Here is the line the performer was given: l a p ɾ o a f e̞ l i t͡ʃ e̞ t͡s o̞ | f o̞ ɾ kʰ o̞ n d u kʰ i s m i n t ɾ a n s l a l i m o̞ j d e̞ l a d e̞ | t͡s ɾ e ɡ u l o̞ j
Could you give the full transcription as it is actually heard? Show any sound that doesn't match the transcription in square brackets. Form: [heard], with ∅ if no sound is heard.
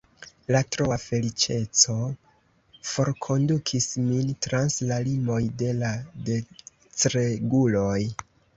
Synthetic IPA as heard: l a [t] ɾ o a f e̞ l i t͡ʃ e̞ t͡s o̞ | f o̞ ɾ kʰ o̞ n d u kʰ i s m i n t ɾ a n s l a l i m o̞ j d e̞ l a d e̞ | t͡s ɾ e ɡ u l o̞ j